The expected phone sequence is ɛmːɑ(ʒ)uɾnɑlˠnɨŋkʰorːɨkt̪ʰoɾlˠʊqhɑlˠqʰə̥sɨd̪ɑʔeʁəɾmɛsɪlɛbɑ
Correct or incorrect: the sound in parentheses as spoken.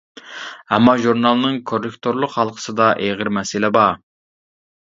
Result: correct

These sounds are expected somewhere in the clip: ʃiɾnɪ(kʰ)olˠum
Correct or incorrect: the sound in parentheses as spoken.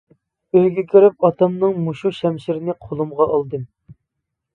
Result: incorrect: qʰ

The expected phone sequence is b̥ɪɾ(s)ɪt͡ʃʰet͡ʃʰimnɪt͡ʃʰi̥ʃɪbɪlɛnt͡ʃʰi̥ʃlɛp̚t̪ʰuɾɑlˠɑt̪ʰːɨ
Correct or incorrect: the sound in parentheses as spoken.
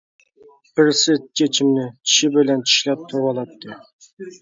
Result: correct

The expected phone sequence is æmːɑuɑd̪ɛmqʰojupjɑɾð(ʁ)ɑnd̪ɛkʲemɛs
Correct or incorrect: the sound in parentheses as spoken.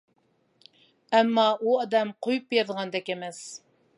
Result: correct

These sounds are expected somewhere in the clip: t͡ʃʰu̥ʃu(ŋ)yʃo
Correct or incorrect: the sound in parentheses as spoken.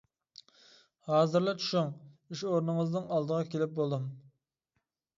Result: correct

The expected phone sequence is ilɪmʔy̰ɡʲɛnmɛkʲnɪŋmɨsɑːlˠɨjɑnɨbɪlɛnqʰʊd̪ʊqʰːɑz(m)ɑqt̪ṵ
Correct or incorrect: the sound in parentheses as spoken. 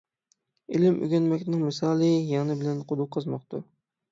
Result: correct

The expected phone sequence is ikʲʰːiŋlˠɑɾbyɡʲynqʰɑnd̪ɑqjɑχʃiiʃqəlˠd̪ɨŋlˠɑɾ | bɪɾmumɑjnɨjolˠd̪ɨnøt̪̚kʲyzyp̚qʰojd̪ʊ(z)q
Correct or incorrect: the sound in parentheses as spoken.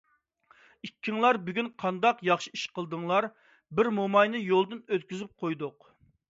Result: incorrect: none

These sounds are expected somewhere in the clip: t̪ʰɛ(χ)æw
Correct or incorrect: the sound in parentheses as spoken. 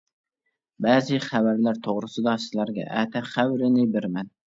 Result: correct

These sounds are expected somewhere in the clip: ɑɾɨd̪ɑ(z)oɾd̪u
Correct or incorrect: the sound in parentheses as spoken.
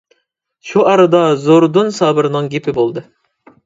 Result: correct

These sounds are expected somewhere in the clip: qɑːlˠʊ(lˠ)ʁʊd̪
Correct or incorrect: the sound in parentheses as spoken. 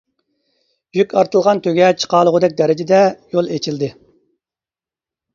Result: incorrect: none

